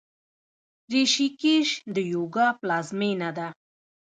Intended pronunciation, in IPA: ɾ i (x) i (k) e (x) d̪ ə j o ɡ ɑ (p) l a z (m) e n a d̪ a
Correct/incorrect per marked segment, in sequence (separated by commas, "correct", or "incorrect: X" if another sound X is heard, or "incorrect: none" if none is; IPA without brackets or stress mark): incorrect: ʃ, correct, incorrect: ʃ, correct, correct